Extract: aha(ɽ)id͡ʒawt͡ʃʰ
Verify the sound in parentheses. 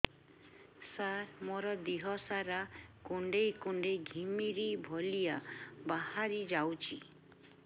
incorrect: ɾ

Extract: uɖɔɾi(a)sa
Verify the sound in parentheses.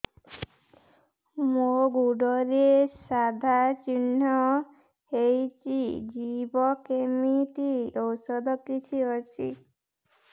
incorrect: e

